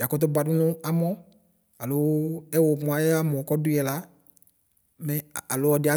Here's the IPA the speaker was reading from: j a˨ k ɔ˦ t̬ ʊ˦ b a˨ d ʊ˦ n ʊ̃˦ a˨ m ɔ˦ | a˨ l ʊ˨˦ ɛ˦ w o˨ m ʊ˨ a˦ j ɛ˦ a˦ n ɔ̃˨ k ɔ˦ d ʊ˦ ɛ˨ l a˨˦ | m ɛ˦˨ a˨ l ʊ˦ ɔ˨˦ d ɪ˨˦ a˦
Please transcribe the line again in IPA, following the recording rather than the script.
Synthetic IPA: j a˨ k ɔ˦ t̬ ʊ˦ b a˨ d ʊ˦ n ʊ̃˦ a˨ m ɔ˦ | a˨ l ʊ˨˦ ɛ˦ w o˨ m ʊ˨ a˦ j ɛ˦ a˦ m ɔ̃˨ k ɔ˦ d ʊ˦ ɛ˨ l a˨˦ | m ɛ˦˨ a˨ l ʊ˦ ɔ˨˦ d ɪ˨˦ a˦